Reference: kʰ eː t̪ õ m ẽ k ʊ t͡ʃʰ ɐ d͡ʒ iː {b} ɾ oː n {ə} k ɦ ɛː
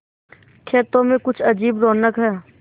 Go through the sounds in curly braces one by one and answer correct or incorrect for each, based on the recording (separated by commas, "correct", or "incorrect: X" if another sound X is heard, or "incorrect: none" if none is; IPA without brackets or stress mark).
correct, correct